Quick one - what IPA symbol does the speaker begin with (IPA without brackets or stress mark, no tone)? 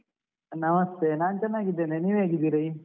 n